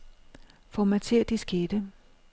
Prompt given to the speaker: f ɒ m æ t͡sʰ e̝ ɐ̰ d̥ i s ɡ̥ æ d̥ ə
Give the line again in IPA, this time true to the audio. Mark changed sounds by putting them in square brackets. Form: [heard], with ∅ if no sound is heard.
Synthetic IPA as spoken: f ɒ m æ t͡sʰ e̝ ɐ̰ d̥ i s ɡ̥ [e] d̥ ə